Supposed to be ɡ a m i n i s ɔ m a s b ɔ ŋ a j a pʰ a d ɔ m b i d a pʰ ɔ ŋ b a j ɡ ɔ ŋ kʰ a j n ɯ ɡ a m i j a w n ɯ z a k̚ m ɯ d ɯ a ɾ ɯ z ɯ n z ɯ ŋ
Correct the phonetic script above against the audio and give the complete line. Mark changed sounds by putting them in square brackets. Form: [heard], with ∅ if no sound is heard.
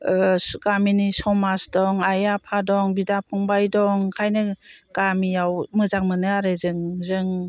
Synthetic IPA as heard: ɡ a m i n i s ɔ m a s [d] ɔ ŋ a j a pʰ a d ɔ [ŋ] b i d a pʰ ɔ ŋ b a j [d] ɔ ŋ kʰ a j n ɯ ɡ a m i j a w [m] ɯ z a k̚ m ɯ [n] ɯ a ɾ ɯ z ɯ [ŋ] z ɯ ŋ